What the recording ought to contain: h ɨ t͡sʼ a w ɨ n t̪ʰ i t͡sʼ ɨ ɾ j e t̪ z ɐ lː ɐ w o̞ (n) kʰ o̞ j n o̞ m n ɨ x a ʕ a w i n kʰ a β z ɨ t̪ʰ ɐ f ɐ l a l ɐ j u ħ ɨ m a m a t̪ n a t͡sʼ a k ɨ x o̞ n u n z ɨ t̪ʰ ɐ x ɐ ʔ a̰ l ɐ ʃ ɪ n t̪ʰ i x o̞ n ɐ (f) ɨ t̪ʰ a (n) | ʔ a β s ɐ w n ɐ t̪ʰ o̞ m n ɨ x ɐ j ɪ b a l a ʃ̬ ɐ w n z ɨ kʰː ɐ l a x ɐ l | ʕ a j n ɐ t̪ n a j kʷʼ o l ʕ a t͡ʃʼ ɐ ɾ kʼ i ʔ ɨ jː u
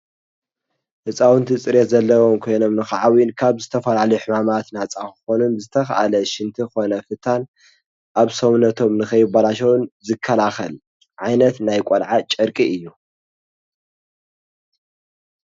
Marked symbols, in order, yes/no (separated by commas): no, yes, yes